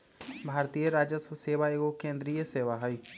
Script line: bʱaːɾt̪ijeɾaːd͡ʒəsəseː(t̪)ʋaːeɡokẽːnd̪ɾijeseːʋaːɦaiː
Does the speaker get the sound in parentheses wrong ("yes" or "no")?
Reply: yes